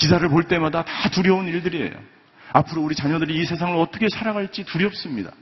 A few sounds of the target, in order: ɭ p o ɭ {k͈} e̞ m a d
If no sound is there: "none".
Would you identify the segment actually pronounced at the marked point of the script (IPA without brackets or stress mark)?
t͈